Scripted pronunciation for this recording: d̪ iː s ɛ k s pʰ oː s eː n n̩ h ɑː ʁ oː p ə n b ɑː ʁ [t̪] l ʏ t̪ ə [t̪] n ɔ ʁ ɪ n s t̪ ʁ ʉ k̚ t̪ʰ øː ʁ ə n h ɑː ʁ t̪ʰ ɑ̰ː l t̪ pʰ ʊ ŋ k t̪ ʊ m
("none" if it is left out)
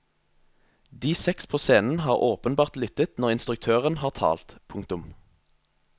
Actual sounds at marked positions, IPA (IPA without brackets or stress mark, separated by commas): t̪, t̪